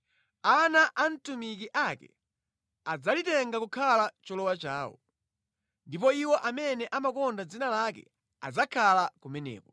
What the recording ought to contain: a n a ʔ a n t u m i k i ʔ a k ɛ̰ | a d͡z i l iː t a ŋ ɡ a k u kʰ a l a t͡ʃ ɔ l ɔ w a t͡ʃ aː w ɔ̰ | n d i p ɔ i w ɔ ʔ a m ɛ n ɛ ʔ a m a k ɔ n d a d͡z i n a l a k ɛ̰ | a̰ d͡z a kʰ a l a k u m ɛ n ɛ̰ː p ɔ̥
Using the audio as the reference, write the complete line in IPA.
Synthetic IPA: a n a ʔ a n t u m i k i ʔ a k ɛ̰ | a d͡z a l i t ɛ ŋ ɡ a k u kʰ a l a t͡ʃ ɔ l ɔ w a t͡ʃ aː w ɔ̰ | n d i p ɔ i w ɔ ʔ a m ɛ n ɛ ʔ a m a k ɔ n d a d͡z i n a l a k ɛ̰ | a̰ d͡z a kʰ a l a k u m ɛ n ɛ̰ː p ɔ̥